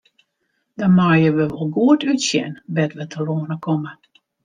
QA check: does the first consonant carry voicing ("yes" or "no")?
yes